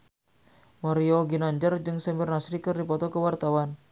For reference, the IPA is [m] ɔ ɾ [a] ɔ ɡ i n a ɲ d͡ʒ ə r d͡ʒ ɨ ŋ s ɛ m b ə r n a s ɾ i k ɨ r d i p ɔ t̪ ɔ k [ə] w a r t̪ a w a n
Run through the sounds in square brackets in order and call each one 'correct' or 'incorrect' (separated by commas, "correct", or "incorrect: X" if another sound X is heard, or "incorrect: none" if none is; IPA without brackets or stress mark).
correct, incorrect: i, correct